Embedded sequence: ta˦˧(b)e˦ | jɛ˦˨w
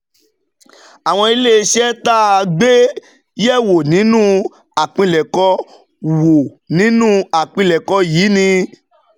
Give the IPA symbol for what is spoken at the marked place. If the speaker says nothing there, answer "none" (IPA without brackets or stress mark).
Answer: ɡ͡b